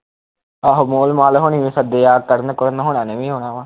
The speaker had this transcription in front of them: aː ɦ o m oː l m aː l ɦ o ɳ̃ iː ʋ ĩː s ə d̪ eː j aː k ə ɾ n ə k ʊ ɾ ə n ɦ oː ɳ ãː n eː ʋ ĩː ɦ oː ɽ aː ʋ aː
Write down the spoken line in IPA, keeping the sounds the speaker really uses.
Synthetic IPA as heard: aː ɦ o m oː l m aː l ɦ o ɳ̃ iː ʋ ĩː s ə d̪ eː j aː k ə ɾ n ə k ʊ ɾ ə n ɦ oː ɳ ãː n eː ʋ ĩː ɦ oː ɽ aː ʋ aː